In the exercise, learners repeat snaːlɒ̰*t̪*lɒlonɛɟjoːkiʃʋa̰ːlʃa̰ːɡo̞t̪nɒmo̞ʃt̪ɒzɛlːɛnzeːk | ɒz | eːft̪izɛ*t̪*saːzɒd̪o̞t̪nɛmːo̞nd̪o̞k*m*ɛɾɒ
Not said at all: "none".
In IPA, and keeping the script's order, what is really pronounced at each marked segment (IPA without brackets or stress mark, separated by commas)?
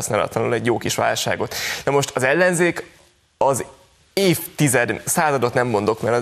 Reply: t̪, d̪, m